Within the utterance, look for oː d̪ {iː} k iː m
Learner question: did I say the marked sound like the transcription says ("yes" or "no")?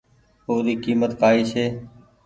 yes